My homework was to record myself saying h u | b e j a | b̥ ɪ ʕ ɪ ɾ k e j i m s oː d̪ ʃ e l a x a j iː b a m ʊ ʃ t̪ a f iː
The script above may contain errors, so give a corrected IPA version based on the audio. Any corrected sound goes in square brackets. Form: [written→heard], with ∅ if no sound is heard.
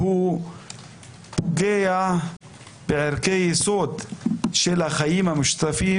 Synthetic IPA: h u | [b→ɡ] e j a | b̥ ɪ ʕ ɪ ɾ k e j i [m→∅] s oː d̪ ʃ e l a x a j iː [b→m] a m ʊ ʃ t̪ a f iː